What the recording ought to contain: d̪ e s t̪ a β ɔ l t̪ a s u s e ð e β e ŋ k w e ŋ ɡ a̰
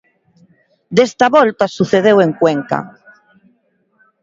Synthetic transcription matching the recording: d̪ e s t̪ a β ɔ l t̪ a s u θ e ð e w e ŋ k w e ŋ k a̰